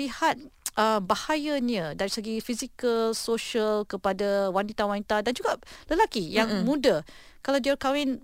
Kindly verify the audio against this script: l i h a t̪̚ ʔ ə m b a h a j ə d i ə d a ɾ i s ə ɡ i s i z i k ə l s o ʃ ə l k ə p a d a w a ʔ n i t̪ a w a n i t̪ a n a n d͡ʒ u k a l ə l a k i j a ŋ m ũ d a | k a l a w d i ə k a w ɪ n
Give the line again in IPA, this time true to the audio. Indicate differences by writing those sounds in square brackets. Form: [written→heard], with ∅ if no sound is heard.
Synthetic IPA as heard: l i h a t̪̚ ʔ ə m b a h a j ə [d→n] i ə d a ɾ i s ə ɡ i [s→f] i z i k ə l s o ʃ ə l k ə p a d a w a [ʔ→∅] n i t̪ a w a n i t̪ a [n→d] a n d͡ʒ u [k→ɡ] a l ə l a k i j a ŋ m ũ d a | k a l a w d i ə k a w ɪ n